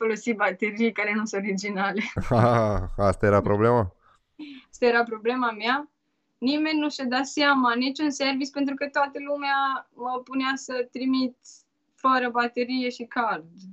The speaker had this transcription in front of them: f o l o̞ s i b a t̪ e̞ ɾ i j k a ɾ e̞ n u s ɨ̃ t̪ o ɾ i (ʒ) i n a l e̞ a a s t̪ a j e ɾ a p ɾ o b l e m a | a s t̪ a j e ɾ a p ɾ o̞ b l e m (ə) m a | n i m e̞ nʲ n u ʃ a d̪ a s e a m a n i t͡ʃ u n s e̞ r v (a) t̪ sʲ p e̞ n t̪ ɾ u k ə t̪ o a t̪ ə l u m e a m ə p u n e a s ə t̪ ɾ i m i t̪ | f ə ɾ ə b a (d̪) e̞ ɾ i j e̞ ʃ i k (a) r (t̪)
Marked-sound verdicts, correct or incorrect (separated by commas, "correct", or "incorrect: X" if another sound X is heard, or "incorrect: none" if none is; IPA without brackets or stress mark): incorrect: d͡ʒ, incorrect: a, incorrect: i, incorrect: t̪, correct, incorrect: d̪